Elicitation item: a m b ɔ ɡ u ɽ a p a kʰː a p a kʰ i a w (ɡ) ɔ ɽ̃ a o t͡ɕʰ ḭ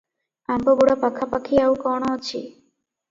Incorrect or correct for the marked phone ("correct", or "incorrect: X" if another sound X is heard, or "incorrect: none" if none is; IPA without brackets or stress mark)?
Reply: incorrect: k